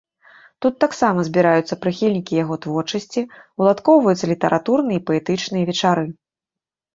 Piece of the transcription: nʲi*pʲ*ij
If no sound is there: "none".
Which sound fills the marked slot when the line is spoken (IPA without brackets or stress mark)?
kʲ